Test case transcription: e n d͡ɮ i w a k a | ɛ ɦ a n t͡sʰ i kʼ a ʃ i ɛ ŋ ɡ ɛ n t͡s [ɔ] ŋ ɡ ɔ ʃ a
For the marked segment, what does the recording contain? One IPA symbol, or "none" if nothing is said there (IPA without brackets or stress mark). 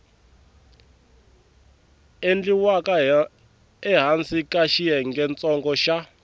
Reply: ɔ